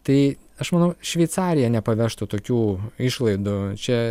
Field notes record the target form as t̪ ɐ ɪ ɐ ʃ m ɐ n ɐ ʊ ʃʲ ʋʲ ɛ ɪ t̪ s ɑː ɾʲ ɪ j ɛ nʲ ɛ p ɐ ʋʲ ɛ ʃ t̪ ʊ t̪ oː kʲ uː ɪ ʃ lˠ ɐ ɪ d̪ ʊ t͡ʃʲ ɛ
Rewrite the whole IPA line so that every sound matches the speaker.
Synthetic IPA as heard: t̪ ɐ ɪ ɐ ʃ m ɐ n ɐ ʊ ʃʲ ʋʲ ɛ ɪ t̪ s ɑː ɾʲ ɪ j ɛ nʲ ɛ p ɐ ʋʲ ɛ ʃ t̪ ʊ t̪ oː kʲ uː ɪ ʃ lˠ ɐ ɪ d̪ ʊ t͡ʃʲ ɛ